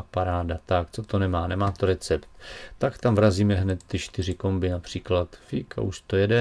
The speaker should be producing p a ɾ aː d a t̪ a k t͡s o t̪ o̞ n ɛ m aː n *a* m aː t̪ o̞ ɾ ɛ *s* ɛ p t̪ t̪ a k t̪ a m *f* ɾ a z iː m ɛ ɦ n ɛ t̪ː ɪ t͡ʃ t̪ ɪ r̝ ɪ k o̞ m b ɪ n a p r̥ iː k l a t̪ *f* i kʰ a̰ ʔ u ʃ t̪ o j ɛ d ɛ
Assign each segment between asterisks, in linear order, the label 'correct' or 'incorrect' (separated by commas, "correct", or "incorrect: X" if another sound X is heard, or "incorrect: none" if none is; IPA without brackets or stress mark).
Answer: incorrect: ɛ, incorrect: t͡s, incorrect: v, correct